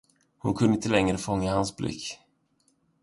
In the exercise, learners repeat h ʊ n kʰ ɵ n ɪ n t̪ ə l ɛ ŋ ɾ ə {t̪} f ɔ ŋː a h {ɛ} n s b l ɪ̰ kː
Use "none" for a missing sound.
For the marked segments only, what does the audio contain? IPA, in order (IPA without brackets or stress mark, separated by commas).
none, a